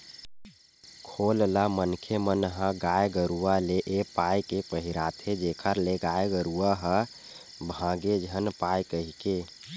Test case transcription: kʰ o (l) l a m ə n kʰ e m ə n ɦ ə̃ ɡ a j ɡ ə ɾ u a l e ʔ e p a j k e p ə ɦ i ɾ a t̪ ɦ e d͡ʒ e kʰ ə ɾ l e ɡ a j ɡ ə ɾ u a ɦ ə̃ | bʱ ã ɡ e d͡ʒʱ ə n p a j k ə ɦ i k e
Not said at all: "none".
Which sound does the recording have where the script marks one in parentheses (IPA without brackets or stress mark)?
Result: l